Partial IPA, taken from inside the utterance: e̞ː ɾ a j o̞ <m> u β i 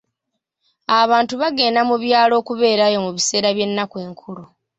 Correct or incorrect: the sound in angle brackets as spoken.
correct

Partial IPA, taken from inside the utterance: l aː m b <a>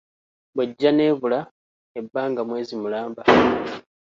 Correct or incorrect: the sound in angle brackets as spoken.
correct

